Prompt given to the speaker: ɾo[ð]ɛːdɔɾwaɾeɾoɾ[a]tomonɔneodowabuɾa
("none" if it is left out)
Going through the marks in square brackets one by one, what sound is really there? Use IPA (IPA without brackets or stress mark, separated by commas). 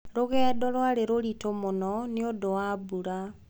ɣ, i